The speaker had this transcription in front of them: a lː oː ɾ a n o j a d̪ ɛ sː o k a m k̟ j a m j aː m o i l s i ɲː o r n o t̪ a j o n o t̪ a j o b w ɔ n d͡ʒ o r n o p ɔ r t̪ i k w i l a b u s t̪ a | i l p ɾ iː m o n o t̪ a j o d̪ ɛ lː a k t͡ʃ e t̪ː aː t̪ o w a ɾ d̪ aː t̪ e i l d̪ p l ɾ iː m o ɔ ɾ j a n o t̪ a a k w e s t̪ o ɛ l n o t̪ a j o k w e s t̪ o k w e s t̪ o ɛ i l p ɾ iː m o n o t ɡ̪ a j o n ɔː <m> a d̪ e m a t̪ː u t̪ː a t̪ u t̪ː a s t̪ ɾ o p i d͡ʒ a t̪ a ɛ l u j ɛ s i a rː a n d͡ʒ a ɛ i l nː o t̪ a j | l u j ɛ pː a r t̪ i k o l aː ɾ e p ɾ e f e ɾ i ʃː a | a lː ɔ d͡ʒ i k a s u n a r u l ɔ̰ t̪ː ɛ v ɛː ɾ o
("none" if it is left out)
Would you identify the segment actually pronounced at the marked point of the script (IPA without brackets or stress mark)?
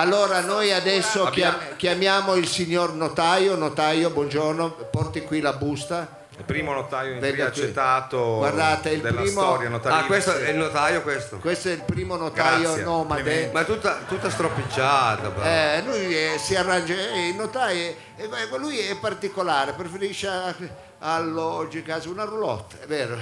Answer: m